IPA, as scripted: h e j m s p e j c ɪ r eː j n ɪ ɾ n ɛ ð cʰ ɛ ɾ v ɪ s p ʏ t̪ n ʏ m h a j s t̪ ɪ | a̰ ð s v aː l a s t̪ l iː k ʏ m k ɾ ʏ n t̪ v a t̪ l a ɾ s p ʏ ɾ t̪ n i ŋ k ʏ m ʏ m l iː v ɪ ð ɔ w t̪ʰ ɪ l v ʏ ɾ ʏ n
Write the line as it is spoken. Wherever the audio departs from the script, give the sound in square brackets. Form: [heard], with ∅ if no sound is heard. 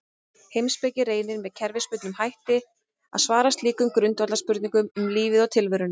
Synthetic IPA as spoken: h e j m s p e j c ɪ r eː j n ɪ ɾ [m] ɛ ð cʰ ɛ ɾ v ɪ s p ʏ t̪ n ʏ m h a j [h] t̪ ɪ | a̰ ð s v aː [ɾ] a s t̪ l iː k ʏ m k ɾ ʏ n t̪ v a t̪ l a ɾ s p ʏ ɾ t̪ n i ŋ k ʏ m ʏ m l iː v ɪ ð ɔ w t̪ʰ ɪ l v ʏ ɾ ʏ n